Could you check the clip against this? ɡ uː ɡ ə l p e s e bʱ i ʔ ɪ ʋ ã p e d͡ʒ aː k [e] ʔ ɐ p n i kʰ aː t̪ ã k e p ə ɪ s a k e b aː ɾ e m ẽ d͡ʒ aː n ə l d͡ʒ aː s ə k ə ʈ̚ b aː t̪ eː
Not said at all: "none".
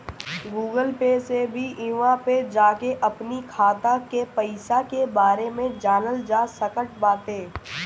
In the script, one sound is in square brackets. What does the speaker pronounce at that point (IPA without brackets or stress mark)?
e